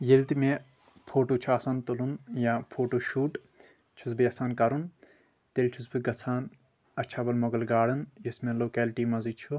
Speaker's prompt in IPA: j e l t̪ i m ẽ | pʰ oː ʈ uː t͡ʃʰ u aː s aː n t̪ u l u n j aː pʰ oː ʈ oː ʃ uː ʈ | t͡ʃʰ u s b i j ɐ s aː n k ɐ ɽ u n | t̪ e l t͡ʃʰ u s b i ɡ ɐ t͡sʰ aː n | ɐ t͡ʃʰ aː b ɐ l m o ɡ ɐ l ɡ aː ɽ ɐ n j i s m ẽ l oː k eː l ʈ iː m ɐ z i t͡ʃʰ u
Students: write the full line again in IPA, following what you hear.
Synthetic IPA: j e l t̪ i m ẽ | pʰ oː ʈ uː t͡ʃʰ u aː s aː n t̪ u l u n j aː pʰ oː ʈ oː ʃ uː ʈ | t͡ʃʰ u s b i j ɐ s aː n k ɐ ɾ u n | t̪ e l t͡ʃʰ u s b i ɡ ɐ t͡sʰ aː n | ɐ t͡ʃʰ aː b ɐ l m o ɡ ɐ l ɡ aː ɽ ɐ n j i s m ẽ l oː k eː l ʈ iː m ɐ z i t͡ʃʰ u